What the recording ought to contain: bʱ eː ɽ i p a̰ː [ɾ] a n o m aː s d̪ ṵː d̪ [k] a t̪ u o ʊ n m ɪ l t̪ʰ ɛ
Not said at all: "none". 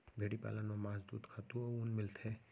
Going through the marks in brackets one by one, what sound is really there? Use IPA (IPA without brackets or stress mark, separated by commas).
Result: l, kʰ